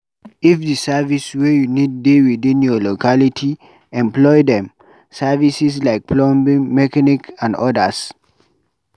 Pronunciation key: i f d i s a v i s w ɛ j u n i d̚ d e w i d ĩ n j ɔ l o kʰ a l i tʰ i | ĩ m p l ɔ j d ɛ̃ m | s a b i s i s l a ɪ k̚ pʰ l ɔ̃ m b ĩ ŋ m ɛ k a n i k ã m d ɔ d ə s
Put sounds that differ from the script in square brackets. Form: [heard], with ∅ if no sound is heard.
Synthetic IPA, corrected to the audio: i f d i s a v i s w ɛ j u n i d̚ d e w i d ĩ n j ɔ l o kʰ a l i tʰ i | [ɛ̃] m p l ɔ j d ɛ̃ m | s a [v] i s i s l a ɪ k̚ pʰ l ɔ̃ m b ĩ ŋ m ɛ k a n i k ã [n] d ɔ d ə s